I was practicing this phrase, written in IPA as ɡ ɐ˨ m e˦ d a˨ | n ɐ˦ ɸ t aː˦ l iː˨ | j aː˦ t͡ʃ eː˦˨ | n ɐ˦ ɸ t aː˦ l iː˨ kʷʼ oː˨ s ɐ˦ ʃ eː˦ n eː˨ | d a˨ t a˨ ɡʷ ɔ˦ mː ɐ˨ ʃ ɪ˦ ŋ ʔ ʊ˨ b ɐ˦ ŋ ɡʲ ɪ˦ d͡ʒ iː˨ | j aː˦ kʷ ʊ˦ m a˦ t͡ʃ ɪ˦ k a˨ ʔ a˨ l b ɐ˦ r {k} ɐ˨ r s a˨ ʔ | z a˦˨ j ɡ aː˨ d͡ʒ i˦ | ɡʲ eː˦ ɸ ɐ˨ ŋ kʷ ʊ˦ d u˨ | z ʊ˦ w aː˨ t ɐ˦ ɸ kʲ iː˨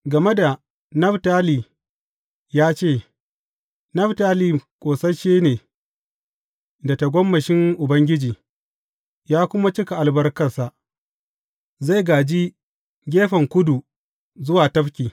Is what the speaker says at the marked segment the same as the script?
yes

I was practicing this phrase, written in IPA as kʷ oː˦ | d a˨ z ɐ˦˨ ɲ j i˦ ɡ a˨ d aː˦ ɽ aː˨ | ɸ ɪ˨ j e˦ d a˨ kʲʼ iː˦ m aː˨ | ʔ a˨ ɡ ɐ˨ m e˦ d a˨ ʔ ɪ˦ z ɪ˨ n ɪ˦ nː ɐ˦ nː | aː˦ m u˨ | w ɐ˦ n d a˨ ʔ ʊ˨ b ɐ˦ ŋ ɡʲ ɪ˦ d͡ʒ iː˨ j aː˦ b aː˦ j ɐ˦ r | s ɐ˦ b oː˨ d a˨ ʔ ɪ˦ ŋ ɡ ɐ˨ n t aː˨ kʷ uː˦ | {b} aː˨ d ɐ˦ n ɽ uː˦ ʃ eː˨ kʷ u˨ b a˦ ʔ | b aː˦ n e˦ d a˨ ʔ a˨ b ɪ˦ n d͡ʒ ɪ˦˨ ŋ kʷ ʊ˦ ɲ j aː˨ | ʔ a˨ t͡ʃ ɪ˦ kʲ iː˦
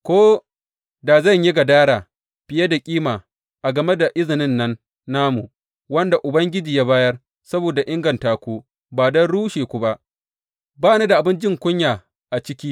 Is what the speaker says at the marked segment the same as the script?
yes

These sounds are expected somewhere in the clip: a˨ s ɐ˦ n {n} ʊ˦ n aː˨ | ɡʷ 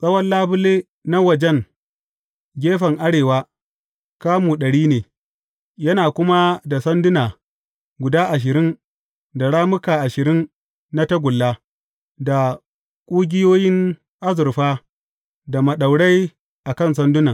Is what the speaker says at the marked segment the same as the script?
no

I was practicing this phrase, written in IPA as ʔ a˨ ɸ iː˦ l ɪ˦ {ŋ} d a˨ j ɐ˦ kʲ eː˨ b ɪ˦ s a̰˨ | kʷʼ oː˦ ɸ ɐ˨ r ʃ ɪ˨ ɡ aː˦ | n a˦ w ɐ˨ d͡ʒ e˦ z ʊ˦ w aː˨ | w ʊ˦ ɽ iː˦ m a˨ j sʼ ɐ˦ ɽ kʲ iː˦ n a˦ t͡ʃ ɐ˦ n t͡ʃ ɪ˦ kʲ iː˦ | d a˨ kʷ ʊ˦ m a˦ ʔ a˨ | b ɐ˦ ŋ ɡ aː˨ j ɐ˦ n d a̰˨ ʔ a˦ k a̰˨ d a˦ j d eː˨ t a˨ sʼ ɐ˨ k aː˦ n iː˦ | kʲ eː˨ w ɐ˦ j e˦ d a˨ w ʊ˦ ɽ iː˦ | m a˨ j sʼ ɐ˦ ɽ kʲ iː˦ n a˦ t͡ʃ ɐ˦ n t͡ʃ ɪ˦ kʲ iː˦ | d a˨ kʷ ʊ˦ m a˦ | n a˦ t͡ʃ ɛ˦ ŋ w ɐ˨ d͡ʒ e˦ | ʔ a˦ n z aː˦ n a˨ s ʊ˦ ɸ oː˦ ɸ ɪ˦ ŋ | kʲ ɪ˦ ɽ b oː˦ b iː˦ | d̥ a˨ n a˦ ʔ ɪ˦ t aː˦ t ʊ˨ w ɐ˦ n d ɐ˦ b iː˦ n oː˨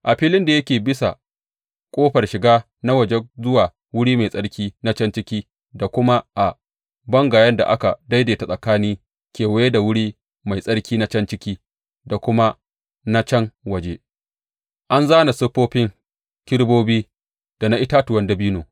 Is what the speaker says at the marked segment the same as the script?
no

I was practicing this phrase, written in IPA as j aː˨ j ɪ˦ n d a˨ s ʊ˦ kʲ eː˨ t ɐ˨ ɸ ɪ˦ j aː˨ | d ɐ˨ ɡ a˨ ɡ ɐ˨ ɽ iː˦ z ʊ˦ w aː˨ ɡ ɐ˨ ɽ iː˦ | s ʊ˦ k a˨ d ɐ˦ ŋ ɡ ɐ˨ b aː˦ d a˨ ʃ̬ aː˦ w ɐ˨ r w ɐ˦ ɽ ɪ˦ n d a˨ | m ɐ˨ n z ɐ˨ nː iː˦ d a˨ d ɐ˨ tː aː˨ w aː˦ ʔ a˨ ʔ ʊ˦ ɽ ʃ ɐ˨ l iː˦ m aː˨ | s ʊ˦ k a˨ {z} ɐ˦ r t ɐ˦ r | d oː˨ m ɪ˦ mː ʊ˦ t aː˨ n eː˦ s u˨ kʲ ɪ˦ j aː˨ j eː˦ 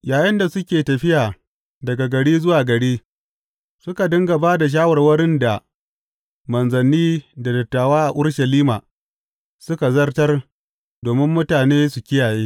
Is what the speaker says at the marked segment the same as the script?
yes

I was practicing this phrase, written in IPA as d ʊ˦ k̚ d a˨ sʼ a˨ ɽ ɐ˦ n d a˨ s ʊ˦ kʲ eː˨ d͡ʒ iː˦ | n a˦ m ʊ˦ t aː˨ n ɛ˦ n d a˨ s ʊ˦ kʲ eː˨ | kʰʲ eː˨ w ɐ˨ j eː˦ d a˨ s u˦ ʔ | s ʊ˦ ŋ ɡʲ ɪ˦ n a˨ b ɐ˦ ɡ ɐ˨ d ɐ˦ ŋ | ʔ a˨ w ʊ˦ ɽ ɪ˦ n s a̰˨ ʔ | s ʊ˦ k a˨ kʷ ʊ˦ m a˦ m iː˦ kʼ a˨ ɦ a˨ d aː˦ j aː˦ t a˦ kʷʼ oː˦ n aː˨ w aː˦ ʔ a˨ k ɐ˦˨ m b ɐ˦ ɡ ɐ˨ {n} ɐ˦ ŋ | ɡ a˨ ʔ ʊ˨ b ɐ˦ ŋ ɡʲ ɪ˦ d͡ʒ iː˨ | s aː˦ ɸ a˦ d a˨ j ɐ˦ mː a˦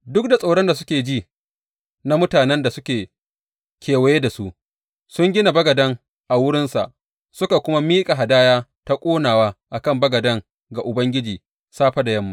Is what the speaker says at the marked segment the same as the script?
no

